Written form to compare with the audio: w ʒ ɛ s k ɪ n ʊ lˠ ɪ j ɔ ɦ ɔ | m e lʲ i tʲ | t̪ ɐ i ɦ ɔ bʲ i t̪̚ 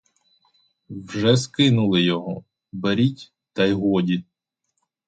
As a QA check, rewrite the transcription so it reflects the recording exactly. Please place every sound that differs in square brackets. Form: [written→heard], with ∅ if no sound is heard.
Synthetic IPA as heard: w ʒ ɛ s k ɪ n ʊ lˠ ɪ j ɔ ɦ ɔ | [m→b] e [lʲ→ɾʲ] i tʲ | t̪ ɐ [i→j] ɦ ɔ [bʲ→dʲ] i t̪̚